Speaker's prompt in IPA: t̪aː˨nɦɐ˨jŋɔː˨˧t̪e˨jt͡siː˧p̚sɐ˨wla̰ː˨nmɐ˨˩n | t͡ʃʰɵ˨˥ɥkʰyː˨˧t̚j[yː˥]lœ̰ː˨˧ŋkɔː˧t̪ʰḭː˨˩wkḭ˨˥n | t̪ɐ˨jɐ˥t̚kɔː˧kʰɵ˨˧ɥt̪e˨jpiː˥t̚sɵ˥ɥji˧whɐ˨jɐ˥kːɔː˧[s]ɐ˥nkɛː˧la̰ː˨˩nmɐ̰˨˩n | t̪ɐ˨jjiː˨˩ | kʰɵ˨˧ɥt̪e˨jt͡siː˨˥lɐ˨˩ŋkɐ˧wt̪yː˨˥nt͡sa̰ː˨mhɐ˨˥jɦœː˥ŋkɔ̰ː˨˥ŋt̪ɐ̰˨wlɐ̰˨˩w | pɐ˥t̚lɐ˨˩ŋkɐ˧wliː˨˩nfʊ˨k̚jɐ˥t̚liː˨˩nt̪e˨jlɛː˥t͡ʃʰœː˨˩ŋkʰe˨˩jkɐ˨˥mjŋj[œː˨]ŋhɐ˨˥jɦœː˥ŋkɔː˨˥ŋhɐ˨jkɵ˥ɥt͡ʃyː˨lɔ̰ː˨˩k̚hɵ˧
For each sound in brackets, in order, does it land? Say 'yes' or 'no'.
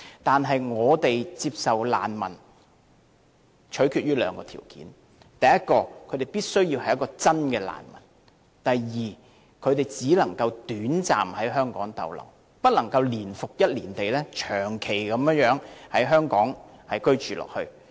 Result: yes, no, no

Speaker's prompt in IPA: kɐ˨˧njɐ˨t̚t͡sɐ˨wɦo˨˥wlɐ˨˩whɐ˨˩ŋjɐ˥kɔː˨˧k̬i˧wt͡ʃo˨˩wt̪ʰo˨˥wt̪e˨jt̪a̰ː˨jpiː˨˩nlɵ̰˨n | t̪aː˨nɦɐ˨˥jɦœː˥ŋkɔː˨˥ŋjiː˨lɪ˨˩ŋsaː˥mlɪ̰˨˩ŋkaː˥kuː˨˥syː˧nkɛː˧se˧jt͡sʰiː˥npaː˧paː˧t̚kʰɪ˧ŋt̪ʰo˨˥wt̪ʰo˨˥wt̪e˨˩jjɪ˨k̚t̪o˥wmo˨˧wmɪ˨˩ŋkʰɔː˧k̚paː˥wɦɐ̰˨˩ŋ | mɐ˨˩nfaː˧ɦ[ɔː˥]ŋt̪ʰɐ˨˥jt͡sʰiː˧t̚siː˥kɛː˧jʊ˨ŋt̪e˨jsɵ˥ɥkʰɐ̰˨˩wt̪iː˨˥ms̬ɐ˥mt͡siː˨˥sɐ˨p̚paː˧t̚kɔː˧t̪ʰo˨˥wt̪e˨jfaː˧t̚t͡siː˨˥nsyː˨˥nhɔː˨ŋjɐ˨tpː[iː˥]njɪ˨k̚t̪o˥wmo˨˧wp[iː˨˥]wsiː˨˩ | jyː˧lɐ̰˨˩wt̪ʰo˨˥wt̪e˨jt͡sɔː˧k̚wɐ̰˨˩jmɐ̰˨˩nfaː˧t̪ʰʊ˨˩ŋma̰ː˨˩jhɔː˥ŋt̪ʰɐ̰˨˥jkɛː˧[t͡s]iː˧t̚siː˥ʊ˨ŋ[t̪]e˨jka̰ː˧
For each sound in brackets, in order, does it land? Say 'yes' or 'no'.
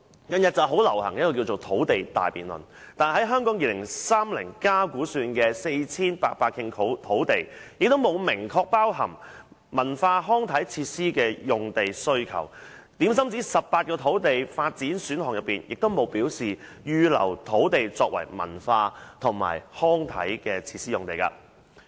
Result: yes, no, yes, no, yes

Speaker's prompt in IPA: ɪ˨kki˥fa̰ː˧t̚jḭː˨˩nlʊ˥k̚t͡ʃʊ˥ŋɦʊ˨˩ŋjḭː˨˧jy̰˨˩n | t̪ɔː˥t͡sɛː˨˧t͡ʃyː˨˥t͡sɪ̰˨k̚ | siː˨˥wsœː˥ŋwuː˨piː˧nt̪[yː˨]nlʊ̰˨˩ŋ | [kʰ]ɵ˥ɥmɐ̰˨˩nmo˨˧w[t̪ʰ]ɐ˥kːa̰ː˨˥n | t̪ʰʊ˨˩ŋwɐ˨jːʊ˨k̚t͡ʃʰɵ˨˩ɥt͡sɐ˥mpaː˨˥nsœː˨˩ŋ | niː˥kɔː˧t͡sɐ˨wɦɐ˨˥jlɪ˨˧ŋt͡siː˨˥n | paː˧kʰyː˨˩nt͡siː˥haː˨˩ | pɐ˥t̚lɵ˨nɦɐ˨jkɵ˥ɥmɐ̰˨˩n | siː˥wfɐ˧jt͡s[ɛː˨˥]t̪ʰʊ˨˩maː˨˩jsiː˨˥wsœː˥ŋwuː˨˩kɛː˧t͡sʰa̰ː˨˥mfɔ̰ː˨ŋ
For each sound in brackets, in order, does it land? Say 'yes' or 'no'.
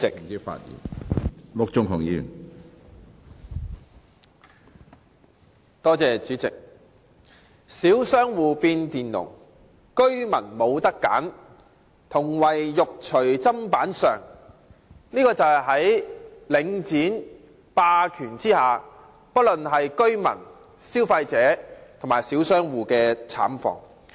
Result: no, no, no, yes

